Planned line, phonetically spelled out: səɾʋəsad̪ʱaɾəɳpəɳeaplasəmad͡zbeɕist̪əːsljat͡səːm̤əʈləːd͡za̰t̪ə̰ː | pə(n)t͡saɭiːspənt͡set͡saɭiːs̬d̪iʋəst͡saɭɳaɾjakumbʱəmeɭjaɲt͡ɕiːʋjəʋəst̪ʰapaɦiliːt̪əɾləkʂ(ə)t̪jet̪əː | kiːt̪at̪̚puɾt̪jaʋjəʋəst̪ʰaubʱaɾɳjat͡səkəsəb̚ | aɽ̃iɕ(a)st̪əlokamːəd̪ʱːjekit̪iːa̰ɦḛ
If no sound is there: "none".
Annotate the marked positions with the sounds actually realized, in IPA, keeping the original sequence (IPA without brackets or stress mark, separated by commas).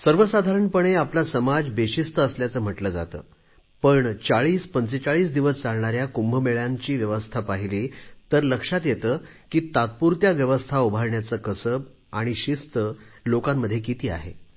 ɳ, a, i